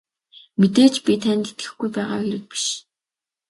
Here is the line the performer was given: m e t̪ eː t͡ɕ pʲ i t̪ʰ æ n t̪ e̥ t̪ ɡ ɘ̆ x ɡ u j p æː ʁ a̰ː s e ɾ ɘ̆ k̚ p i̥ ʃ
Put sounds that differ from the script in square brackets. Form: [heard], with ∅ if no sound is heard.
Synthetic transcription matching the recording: m e t̪ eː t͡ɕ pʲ i t̪ʰ æ n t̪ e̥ t̪ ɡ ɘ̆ x ɡ u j p æː ʁ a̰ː [x] e ɾ ɘ̆ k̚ p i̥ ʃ